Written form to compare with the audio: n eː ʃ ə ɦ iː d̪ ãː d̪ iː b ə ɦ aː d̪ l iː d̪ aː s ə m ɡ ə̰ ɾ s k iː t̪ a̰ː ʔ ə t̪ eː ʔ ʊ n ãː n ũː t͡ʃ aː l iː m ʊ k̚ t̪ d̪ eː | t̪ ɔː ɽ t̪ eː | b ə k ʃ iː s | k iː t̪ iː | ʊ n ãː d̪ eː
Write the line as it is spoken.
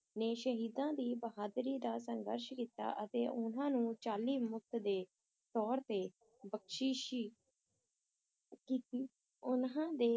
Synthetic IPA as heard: n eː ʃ ə ɦ iː d̪ ãː d̪ iː b ə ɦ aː d̪ ɾ iː d̪ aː s ə ŋ ɡ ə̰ ɾ ʃ k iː t̪ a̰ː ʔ ə t̪ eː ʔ ʊ n ãː n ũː t͡ʃ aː l iː m ʊ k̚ t̪ d̪ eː | t̪ ɔː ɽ t̪ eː | b ə k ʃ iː ʃ | k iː t̪ iː | ʊ n ãː d̪ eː

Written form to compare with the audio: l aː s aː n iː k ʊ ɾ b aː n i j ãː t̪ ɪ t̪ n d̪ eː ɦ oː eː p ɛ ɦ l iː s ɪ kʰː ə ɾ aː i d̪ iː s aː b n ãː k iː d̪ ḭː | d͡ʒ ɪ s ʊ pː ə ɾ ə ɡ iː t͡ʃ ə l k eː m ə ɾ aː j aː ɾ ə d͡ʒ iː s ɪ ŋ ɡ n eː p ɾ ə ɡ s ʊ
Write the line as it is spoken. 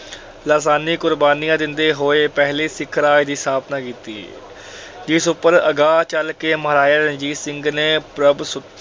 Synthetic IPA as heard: l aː s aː n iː k ʊ ɾ b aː n i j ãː d̪ ɪ n d̪ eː ɦ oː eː p ɛ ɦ l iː s ɪ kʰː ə ɾ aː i d̪ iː s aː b n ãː k iː t̪ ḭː | d͡ʒ ɪ s ʊ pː ə ɾ ə ɡ aː t͡ʃ ə l k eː m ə ɾ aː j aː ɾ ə d͡ʒ iː s ɪ ŋ ɡ n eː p ɾ ə b s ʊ

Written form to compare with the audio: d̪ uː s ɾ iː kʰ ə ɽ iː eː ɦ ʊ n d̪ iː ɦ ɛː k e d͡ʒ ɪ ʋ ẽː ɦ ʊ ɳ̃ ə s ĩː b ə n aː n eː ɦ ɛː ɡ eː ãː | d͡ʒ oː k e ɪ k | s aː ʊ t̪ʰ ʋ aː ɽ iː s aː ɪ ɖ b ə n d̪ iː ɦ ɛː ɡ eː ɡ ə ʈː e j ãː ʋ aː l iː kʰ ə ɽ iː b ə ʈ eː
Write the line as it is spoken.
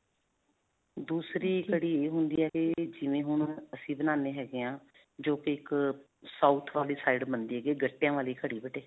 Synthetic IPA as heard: d̪ uː s ɾ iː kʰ ə ɽ iː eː ɦ ʊ n d̪ iː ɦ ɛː k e d͡ʒ ɪ ʋ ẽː ɦ ʊ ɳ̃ ə s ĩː b ə n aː n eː ɦ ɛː ɡ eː ãː | d͡ʒ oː k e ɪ k | s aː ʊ t̪ʰ ʋ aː l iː s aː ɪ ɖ b ə n d̪ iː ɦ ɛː ɡ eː ɡ ə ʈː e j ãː ʋ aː l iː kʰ ə ɽ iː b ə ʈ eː

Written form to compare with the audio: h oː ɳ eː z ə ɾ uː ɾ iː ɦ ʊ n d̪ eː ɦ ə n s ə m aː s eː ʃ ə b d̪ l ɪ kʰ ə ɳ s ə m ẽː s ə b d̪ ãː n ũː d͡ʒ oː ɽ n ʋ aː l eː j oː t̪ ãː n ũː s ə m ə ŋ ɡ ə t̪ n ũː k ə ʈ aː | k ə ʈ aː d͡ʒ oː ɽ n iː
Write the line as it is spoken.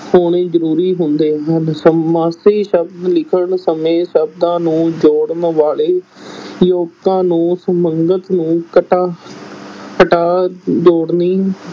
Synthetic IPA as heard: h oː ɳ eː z ə ɾ uː ɾ iː ɦ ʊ n d̪ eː ɦ ə n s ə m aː s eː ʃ ə b d̪ l ɪ kʰ ə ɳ s ə m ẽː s ə b d̪ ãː n ũː d͡ʒ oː ɽ n ʋ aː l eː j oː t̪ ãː n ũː s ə m ə ŋ ɡ ə t̪ n ũː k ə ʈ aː | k ə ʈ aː d͡ʒ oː ɽ n iː

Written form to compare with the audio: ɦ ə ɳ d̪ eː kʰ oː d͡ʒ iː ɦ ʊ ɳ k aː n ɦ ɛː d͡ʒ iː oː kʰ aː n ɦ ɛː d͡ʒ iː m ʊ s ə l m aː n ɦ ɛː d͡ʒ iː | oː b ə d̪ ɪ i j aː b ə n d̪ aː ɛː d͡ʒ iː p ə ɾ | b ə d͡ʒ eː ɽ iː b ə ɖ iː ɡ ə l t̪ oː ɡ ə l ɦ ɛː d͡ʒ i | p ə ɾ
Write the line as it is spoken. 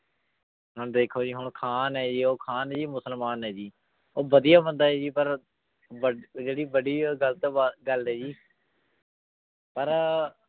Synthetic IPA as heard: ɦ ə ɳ d̪ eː kʰ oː d͡ʒ iː ɦ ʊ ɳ kʰ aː n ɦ ɛː d͡ʒ iː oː kʰ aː n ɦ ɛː d͡ʒ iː m ʊ s ə l m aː n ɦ ɛː d͡ʒ iː | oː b ə d̪ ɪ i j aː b ə n d̪ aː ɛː d͡ʒ iː p ə ɾ | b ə d͡ʒ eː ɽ iː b ə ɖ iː ɡ ə l t̪ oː ɡ ə l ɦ ɛː d͡ʒ iː | p ə ɾ

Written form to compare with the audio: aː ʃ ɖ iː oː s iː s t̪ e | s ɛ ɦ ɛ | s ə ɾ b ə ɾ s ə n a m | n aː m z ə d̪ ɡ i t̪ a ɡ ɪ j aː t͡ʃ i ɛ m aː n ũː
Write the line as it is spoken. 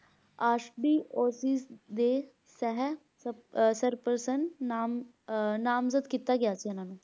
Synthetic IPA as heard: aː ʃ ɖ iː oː s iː s d̪ e | s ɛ ɦ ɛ | s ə ɾ p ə ɾ s ə n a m | n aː m z ə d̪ k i t̪ a ɡ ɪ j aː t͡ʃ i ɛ n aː n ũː

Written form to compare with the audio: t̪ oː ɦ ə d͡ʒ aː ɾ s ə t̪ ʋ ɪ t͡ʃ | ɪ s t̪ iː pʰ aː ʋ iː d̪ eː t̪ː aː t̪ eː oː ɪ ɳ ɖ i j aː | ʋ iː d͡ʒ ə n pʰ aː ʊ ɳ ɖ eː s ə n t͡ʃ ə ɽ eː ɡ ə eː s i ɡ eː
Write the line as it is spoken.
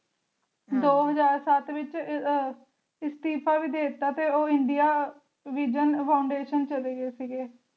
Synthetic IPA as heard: d̪ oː ɦ ə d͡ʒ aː ɾ s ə t̪ ʋ ɪ t͡ʃ | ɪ s t̪ iː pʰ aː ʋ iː d̪ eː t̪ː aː t̪ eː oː ɪ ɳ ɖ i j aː | ʋ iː d͡ʒ ə n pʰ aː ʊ ɳ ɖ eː ʃ ə n t͡ʃ ə l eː ɡ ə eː s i ɡ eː

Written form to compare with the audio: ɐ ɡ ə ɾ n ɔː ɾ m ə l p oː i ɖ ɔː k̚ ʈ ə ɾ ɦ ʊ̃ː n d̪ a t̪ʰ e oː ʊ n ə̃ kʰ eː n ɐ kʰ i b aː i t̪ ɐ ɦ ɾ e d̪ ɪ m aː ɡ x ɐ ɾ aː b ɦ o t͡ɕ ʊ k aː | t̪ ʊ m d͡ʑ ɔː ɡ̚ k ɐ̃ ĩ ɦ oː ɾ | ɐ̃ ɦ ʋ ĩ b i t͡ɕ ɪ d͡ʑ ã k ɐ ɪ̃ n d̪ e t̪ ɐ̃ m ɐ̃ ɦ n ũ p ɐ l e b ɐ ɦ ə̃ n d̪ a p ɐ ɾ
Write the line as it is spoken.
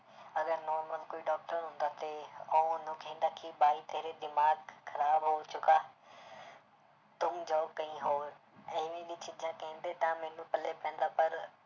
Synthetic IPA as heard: ɐ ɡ ə ɾ n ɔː ɾ m ə l k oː i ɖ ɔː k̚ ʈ ə ɾ ɦ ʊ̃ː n d̪ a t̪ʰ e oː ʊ n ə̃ kʰ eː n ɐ kʰ i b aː i t̪ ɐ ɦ ɾ e d̪ ɪ m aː ɡ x ɐ ɾ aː b ɦ o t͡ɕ ʊ k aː | t̪ ʊ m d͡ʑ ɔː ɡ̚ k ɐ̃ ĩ ɦ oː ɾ | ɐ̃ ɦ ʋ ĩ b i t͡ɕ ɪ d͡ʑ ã k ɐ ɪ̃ n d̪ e t̪ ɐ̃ m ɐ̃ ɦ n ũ p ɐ l e p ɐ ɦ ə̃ n d̪ a p ɐ ɾ

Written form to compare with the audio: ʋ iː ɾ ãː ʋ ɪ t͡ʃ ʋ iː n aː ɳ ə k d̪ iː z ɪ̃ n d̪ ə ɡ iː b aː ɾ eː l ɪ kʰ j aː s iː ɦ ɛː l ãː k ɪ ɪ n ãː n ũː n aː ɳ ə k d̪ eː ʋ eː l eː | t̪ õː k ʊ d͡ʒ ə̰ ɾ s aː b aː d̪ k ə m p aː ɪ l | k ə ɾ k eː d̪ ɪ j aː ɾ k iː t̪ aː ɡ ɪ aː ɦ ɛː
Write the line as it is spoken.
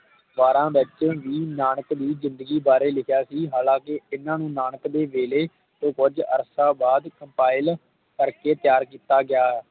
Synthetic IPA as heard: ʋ aː ɾ ãː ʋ ɪ t͡ʃ ʋ iː n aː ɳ ə k d̪ iː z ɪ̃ n d̪ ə ɡ iː b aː ɾ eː l ɪ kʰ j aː s iː ɦ aː l ãː k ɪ ɪ n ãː n ũː n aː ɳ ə k d̪ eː ʋ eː l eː | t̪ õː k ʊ d͡ʒ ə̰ ɾ s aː b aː d̪ k ə m p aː ɪ l | k ə ɾ k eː t̪ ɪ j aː ɾ k iː t̪ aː ɡ ɪ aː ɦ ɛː

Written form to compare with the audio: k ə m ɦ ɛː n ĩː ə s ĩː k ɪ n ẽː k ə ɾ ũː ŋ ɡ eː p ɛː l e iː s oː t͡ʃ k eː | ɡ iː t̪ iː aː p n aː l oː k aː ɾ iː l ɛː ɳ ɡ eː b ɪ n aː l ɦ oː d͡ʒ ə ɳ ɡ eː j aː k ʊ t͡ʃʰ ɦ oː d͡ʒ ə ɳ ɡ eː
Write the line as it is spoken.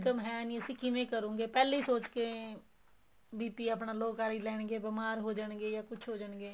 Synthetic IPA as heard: k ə m ɦ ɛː n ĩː ə s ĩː k ɪ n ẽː k ə ɾ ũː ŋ ɡ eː p ɛː l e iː s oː t͡ʃ k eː | b iː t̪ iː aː p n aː l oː k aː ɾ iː l ɛː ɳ ɡ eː b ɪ m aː ɾ ɦ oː d͡ʒ ə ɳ ɡ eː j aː k ʊ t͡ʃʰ ɦ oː d͡ʒ ə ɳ ɡ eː

